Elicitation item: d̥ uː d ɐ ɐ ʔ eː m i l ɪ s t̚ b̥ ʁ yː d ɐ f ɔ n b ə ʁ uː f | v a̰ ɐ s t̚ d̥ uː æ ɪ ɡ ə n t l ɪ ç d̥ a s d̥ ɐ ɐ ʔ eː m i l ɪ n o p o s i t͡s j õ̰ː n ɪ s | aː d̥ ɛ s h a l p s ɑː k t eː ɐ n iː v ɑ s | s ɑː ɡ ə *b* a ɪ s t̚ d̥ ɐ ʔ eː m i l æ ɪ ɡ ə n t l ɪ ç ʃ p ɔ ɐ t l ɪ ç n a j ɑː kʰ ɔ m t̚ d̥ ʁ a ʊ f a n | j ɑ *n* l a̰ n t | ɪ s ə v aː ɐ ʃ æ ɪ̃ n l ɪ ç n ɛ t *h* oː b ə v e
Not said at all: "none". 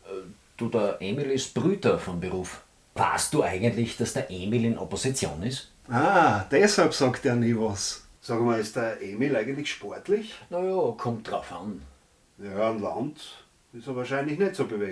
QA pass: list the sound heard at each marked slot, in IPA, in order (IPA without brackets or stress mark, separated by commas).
m, n, s